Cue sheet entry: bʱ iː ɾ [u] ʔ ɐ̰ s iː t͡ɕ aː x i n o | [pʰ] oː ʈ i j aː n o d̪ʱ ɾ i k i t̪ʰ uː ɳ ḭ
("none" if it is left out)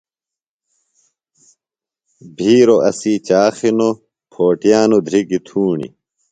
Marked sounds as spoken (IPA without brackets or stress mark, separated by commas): o, pʰ